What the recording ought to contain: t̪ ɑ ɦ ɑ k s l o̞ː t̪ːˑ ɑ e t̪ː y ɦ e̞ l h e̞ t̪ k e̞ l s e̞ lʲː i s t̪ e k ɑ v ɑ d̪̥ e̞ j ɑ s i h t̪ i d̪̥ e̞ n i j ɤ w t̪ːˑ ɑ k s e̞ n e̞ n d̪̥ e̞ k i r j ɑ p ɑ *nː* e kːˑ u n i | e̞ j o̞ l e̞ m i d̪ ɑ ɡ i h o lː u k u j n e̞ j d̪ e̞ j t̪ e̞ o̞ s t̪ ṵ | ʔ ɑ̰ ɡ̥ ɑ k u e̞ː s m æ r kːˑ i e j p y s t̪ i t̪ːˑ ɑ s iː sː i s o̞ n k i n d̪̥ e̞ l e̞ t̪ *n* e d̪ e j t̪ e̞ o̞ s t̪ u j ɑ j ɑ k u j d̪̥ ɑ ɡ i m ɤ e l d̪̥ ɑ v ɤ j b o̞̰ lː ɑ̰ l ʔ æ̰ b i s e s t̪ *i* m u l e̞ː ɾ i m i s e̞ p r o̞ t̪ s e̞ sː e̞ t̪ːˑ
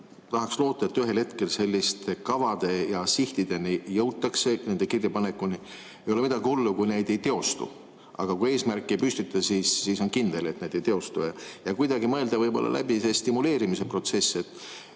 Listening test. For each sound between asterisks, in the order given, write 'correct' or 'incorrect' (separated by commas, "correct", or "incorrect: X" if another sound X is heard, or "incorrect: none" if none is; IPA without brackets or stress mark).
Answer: incorrect: n, correct, correct